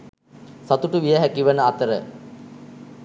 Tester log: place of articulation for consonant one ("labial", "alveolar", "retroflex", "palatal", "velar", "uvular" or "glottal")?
alveolar